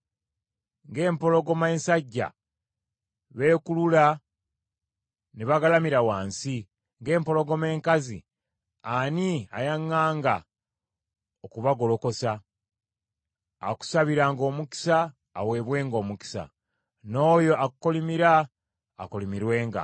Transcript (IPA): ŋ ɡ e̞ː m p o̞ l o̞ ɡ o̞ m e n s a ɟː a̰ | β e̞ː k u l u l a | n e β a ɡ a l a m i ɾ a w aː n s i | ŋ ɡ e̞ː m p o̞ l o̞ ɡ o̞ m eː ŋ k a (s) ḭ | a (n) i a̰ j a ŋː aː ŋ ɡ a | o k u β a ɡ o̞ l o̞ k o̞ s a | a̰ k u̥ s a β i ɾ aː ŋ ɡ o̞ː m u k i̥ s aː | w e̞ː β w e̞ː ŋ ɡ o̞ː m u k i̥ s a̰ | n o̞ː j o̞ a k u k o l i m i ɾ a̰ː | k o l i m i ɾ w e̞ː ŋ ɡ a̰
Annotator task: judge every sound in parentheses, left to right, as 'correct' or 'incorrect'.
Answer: incorrect, correct

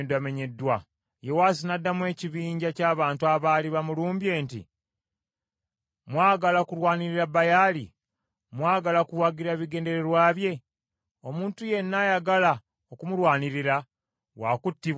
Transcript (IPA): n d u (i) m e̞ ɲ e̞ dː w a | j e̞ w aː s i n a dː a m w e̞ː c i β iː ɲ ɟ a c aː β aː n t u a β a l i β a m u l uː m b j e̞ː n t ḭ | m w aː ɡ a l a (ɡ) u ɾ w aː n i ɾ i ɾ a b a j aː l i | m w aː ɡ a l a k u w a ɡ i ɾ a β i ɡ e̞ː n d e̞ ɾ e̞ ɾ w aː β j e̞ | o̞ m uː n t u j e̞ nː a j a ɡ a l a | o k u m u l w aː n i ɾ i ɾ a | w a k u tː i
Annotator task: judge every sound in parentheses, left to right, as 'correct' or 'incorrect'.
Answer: incorrect, incorrect

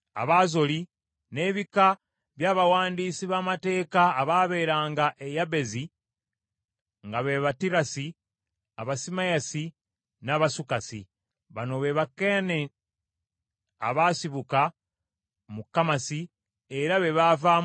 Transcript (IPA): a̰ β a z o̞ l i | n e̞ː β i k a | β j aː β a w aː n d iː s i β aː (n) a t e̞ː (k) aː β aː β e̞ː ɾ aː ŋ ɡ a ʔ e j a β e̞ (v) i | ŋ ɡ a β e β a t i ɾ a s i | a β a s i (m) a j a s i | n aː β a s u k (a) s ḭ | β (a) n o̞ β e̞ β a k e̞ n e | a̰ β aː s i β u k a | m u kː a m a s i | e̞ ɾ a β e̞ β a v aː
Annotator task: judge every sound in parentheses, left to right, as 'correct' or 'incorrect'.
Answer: incorrect, correct, incorrect, correct, correct, correct

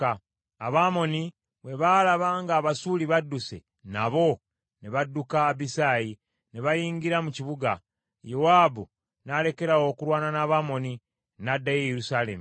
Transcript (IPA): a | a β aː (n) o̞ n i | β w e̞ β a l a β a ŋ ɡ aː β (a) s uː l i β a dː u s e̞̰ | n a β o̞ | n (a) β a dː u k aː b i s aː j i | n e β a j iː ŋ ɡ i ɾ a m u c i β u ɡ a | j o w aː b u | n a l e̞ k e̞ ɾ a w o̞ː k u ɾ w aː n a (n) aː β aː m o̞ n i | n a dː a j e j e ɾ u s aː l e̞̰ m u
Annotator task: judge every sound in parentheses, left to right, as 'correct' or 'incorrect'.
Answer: incorrect, correct, incorrect, correct

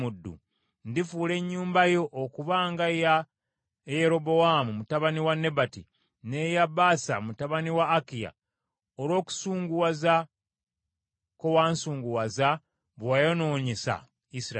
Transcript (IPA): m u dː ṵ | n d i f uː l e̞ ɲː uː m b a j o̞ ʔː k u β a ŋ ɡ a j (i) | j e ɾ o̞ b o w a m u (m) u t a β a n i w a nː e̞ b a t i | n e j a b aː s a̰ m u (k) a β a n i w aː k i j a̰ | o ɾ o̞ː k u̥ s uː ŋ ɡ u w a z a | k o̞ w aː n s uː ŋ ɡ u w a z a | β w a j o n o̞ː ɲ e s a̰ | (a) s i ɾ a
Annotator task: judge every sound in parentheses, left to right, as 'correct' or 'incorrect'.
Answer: incorrect, correct, incorrect, incorrect

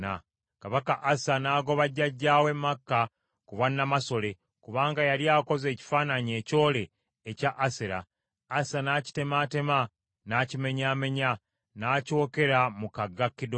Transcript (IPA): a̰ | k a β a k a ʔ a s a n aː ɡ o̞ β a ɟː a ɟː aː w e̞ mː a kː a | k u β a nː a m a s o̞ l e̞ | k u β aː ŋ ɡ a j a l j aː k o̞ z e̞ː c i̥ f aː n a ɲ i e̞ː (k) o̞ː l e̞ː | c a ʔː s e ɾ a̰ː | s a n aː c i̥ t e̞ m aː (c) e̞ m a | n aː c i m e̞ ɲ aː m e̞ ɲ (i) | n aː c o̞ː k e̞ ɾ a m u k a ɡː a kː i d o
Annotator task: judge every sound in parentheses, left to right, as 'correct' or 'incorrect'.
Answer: incorrect, incorrect, incorrect

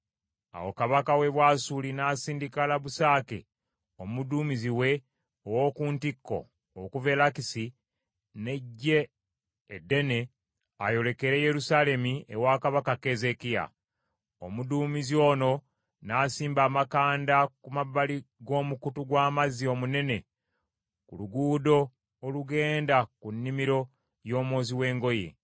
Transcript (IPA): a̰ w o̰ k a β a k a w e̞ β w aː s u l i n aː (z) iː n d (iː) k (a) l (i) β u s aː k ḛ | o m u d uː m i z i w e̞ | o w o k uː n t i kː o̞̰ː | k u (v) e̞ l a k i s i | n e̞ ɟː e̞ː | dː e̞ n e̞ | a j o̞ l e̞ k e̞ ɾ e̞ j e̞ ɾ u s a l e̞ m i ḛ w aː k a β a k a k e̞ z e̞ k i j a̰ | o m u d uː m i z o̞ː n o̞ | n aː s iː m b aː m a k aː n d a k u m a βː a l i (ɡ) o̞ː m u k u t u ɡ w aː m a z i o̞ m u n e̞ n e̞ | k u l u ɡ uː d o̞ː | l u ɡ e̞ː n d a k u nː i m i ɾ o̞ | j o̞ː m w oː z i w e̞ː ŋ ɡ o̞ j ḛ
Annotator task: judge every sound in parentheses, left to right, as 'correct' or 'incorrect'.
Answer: incorrect, incorrect, correct, incorrect, correct, correct

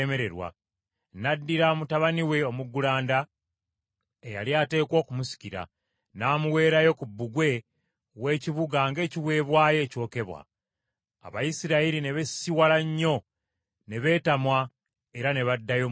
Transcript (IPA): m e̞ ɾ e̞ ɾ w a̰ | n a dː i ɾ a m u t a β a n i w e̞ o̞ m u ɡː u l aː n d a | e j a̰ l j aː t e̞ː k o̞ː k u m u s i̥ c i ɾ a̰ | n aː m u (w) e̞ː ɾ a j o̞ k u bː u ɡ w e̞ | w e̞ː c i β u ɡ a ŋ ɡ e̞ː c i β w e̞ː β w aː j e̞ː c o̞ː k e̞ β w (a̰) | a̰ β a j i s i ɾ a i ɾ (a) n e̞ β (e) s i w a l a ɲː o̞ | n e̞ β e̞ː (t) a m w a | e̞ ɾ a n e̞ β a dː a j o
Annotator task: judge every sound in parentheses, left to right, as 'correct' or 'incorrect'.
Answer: correct, correct, incorrect, correct, correct

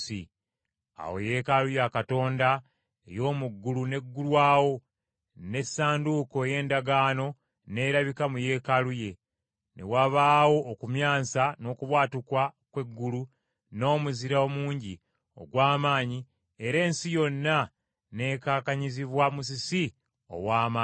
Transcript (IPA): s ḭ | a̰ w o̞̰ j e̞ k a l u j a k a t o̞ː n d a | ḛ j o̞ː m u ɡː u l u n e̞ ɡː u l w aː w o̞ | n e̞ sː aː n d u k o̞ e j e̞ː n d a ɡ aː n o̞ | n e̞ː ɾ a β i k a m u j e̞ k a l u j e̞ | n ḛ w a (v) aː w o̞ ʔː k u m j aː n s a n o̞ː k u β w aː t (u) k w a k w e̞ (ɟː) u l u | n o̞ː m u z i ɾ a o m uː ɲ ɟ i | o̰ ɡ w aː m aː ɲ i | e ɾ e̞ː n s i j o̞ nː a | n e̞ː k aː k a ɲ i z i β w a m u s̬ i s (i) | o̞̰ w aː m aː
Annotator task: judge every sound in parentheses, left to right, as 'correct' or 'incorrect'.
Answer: incorrect, correct, incorrect, correct

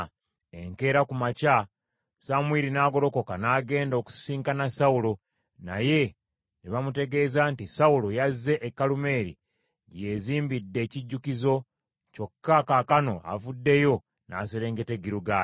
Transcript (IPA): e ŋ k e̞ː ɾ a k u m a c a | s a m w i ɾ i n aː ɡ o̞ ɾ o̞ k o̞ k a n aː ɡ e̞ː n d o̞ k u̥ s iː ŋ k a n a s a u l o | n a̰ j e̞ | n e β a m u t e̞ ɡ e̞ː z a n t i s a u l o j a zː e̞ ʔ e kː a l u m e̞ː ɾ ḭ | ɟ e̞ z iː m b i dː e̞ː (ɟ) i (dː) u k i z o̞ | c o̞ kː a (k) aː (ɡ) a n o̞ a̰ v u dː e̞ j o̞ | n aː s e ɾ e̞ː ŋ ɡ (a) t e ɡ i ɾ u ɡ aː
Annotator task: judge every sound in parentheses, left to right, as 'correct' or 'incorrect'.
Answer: incorrect, incorrect, correct, incorrect, incorrect

